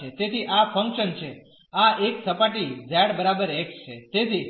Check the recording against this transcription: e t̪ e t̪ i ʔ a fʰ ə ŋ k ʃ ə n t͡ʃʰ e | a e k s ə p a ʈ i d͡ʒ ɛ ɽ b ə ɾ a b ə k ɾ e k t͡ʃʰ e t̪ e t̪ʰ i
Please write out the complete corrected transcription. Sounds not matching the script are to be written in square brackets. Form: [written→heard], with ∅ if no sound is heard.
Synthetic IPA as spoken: e t̪ e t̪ i ʔ a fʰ ə ŋ k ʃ ə n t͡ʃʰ e | a e k s ə p a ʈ i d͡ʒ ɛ ɽ b ə ɾ a b ə [k→∅] ɾ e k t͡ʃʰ e t̪ e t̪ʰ i

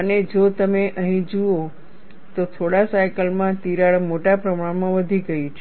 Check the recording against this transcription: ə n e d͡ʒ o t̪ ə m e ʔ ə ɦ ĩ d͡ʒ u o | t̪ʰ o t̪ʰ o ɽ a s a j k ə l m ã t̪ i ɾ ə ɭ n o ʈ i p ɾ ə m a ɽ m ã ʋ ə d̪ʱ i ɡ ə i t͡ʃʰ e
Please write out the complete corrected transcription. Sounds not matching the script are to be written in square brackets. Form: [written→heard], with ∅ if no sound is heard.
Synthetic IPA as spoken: ə n e d͡ʒ o t̪ ə m e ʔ ə ɦ ĩ d͡ʒ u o | [t̪ʰ→t̪] o t̪ʰ o ɽ a s a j k ə l m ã t̪ i ɾ [ə→a] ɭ [n→m] o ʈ [i→a] p ɾ ə m a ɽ m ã ʋ ə d̪ʱ i ɡ ə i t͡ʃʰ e

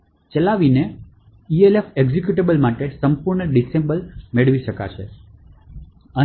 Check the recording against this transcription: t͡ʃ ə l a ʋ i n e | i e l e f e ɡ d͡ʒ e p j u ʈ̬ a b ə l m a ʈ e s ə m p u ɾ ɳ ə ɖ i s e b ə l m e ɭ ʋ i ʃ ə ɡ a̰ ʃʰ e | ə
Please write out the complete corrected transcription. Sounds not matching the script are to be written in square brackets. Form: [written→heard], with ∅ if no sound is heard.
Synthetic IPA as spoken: t͡ʃ ə l a ʋ i n e | i e l e f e ɡ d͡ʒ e [p→k] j u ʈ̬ [a→e] b ə l m a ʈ e s ə m p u ɾ ɳ ə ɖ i s e b ə l m e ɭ ʋ i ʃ ə [ɡ→k] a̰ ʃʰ e | ə

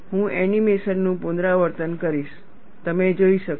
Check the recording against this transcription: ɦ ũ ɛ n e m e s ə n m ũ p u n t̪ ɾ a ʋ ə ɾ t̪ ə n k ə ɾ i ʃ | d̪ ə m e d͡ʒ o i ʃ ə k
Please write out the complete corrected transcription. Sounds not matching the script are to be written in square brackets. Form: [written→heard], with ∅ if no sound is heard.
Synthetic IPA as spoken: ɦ ũ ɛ n [e→i] m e s ə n [m→n] ũ p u n [t̪→d̪] ɾ a ʋ ə ɾ t̪ ə n k ə ɾ i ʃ | [d̪→t̪] ə m e d͡ʒ o i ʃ ə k

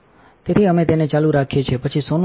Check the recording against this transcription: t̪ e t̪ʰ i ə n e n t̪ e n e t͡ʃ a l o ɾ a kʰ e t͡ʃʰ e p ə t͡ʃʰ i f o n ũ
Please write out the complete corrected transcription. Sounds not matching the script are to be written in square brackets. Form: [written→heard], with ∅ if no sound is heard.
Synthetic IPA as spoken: t̪ e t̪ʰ i ə [n→m] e [n→∅] t̪ e n e t͡ʃ a l [o→u] ɾ a kʰ e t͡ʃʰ e p ə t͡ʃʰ i [f→s] o n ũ

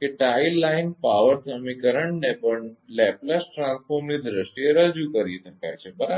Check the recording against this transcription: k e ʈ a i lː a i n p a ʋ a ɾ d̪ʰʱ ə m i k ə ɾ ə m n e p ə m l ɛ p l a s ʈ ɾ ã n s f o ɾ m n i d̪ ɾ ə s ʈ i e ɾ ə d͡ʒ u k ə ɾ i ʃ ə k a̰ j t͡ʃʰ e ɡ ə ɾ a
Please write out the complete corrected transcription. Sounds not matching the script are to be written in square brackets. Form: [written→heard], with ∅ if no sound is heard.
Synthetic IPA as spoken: k e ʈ a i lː a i n p a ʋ [a→ə] ɾ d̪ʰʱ ə m i k ə ɾ ə [m→ɳ] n e p ə [m→ɳ] l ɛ p l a s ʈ ɾ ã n s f o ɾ m n i d̪ ɾ ə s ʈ i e ɾ ə d͡ʒ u k ə ɾ i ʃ ə k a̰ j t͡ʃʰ e [ɡ→b] ə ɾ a

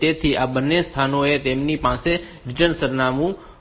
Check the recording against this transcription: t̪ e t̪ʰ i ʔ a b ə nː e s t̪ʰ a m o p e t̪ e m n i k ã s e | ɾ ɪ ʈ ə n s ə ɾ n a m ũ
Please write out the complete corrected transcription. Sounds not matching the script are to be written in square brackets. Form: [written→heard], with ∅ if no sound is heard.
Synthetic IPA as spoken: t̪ e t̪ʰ i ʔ a b ə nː e s t̪ʰ a [m→n] o [p→∅] e t̪ e m n i [k→p] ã s e | ɾ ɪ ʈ ə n s ə ɾ n a m ũ

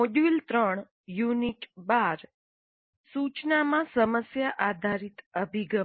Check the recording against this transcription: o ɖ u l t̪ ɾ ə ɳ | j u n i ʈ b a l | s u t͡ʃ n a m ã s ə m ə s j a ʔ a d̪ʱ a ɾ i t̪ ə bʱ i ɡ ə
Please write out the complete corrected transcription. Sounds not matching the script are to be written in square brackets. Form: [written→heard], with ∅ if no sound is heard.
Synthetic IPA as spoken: o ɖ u l t̪ ɾ ə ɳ | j u n i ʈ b a [l→ɾ] | s u t͡ʃ n a m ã s ə m ə s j a ʔ a d̪ʱ a ɾ i t̪ ə bʱ i ɡ ə

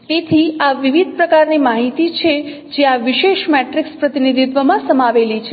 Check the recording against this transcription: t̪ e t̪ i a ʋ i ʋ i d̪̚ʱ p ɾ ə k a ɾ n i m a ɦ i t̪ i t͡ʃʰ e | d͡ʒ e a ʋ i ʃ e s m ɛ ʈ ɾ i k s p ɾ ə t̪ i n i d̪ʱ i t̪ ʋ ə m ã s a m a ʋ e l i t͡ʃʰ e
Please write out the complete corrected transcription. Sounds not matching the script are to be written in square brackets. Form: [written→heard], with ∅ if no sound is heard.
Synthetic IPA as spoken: t̪ e [t̪→t̪ʰ] i a ʋ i ʋ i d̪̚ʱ p ɾ ə k a ɾ n i m a ɦ i t̪ i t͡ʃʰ e | d͡ʒ e a ʋ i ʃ e [s→ʃ] m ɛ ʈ ɾ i k s p ɾ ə t̪ i n i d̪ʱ i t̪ ʋ ə m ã s [a→ə] m a ʋ e l i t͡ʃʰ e

